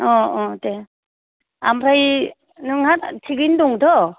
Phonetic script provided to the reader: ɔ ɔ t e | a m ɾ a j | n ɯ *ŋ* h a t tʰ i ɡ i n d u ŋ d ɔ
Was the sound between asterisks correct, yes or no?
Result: yes